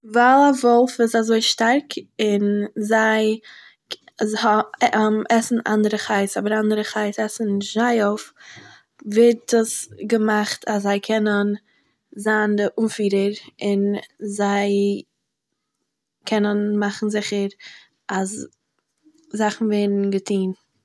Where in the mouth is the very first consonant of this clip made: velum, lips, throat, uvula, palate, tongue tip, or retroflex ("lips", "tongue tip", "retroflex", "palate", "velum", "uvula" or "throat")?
lips